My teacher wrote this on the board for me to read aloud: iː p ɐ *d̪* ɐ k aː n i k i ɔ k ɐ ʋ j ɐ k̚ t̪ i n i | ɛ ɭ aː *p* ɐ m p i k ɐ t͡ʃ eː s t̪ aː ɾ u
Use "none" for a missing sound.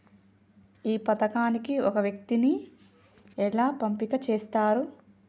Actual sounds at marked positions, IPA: t̪, p

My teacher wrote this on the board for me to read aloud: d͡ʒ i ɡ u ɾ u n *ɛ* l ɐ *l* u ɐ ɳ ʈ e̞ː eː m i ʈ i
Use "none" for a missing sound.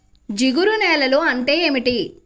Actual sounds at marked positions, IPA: ɛː, l

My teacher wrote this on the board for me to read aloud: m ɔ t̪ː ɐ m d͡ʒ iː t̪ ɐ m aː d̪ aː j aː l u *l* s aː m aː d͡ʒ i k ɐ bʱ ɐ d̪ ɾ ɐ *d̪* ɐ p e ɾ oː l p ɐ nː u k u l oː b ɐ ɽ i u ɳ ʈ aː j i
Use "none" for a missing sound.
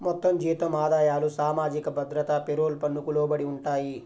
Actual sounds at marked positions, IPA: none, t̪

